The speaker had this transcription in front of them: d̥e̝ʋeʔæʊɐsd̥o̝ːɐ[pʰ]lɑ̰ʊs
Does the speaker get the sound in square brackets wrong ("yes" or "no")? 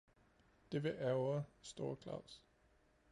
yes